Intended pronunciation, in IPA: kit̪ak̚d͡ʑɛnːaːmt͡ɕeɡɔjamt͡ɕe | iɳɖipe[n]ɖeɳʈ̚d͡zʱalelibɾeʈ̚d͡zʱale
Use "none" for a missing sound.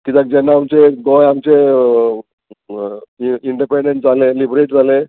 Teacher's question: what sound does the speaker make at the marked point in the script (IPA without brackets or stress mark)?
ɳ